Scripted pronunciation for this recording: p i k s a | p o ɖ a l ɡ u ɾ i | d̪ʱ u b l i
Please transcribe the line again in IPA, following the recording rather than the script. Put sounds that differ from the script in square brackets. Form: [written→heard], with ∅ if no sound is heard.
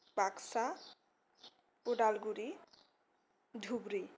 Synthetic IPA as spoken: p [i→a] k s a | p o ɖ a l ɡ u ɾ i | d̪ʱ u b [l→ɾ] i